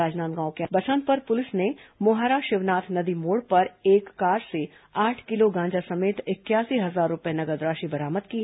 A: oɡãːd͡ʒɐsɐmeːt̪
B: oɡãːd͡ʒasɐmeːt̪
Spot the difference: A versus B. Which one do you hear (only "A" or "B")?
B